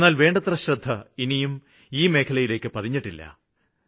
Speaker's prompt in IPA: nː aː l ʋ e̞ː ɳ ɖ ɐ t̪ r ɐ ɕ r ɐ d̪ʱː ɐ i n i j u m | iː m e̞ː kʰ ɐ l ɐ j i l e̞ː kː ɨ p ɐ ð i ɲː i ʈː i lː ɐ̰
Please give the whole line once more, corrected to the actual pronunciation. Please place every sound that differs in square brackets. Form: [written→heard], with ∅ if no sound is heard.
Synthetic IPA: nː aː l ʋ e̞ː ɳ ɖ ɐ t̪ r ɐ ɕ r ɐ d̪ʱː ɐ i n i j u m | iː m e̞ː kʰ ɐ l ɐ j i l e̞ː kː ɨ p ɐ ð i ɲː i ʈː i lː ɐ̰

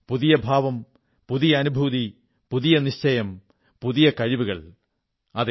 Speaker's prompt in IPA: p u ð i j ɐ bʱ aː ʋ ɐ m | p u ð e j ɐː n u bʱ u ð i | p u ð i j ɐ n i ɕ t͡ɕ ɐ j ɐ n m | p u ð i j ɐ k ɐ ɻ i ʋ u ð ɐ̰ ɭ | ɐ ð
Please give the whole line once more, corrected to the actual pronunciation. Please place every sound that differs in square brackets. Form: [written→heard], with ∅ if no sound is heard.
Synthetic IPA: p u ð i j ɐ bʱ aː ʋ ɐ m | p u ð [e→i] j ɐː n u bʱ u ð i | p u ð i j ɐ n i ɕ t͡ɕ ɐ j ɐ [n→∅] m | p u ð i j ɐ k ɐ ɻ i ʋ u [ð→ɣ] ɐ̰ ɭ | ɐ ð

